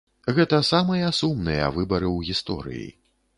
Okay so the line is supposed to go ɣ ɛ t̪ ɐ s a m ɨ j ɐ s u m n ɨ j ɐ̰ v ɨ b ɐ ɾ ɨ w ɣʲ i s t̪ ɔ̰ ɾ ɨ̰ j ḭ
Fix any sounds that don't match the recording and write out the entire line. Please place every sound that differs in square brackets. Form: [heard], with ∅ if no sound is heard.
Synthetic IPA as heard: ɣ ɛ t̪ ɐ s a m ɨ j ɐ s u m n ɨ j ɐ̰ v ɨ b ɐ ɾ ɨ w ɣʲ i s t̪ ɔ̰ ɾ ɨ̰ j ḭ